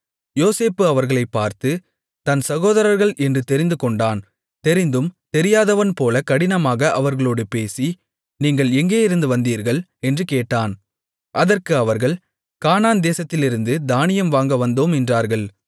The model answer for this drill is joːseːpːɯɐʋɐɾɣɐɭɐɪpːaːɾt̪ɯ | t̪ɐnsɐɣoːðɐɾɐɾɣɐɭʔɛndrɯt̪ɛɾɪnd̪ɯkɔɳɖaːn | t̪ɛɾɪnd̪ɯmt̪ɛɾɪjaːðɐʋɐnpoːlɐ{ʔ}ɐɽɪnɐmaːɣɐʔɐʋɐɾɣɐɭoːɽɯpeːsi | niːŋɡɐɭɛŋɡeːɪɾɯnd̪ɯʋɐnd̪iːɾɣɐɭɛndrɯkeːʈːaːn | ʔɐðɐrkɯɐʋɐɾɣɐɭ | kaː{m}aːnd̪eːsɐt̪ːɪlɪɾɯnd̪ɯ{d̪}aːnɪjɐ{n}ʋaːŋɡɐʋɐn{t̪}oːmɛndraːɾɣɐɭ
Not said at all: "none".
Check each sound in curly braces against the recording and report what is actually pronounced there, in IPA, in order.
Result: k, n, d̪, m, d̪

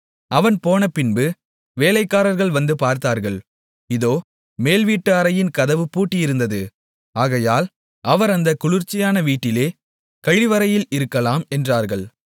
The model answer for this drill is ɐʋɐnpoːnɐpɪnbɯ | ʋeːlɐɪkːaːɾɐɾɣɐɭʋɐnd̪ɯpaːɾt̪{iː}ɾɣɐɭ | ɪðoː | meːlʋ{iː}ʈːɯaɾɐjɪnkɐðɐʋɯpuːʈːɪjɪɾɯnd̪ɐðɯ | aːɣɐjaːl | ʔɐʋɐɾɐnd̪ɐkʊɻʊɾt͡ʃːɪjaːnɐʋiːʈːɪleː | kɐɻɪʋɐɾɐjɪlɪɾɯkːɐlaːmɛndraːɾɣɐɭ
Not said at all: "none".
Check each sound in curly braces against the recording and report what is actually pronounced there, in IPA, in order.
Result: aː, iː

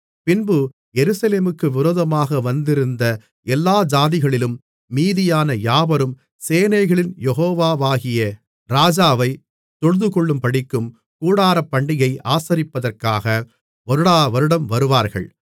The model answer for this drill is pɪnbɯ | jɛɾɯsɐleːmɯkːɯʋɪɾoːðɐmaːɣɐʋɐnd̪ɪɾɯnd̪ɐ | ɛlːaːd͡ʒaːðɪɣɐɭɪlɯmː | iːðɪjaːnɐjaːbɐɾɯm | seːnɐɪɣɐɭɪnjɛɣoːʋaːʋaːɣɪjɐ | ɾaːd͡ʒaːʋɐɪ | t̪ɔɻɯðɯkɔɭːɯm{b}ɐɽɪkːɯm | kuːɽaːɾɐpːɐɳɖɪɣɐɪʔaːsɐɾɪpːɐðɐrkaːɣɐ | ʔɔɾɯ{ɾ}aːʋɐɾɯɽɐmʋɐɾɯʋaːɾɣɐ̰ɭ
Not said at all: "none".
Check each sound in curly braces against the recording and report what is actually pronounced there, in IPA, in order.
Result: p, ɽ

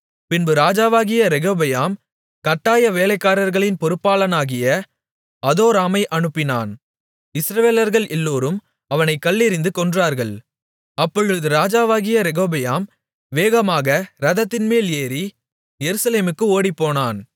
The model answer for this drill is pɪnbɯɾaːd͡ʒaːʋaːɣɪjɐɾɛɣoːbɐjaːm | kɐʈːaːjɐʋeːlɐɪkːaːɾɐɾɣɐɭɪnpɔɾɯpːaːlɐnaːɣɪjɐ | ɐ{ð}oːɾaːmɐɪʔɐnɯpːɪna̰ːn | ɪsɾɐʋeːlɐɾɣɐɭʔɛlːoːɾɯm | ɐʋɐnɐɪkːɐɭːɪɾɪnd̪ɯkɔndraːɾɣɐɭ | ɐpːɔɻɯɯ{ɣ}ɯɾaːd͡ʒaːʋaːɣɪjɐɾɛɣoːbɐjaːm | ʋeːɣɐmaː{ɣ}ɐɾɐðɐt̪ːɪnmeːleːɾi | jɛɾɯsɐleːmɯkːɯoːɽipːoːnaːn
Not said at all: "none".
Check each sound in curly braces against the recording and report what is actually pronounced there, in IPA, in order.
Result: ð, ð, ɣ

